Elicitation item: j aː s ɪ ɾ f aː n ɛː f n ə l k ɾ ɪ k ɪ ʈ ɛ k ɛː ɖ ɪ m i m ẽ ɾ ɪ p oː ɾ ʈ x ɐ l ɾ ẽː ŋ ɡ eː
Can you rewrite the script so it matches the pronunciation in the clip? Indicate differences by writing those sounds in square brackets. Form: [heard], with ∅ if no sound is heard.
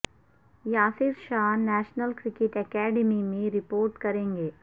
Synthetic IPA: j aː s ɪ ɾ [ʃ] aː n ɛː [ʃ] n ə l k ɾ ɪ k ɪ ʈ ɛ k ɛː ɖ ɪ m i m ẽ ɾ ɪ p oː ɾ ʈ [k] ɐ [∅] ɾ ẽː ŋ ɡ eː